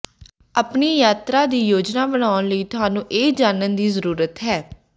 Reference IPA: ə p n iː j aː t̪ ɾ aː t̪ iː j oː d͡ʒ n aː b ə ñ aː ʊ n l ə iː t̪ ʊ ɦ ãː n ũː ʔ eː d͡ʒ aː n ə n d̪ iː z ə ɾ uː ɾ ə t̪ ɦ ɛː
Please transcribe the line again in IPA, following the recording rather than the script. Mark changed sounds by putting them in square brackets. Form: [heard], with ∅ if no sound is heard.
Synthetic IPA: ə p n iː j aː t̪ ɾ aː [d̪] iː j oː d͡ʒ n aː b ə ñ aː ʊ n l ə iː t̪ ʊ ɦ [aː] n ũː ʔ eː d͡ʒ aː n ə n d̪ iː z ə ɾ uː ɾ ə t̪ ɦ ɛː